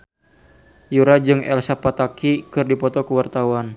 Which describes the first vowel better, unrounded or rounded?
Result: rounded